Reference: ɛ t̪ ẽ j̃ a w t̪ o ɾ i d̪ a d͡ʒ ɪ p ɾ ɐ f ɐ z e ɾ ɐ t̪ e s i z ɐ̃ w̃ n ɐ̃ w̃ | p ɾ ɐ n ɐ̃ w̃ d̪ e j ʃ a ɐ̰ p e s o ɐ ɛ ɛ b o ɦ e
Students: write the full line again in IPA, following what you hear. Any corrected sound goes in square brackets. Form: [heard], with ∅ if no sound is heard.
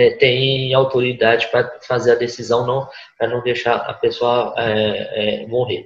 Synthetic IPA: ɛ t̪ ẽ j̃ a w t̪ o ɾ i d̪ a d͡ʒ ɪ p ɾ ɐ f [a] z e ɾ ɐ [d̪] e s i z ɐ̃ w̃ n ɐ̃ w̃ | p ɾ ɐ n ɐ̃ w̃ d̪ e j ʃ a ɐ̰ p e s o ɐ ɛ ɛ [m] o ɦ e